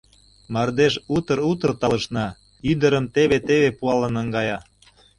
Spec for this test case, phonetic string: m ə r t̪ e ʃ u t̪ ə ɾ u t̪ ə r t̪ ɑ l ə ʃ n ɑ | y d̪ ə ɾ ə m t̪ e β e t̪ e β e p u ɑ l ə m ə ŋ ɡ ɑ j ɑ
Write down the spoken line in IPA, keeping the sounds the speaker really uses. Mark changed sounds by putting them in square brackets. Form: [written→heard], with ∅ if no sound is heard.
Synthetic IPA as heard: m [ə→ɑ] r [t̪→d̪] e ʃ u t̪ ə ɾ u t̪ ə r t̪ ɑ l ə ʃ n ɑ | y d̪ ə ɾ ə m t̪ e β e t̪ e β e p u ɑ l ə [m→n] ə ŋ ɡ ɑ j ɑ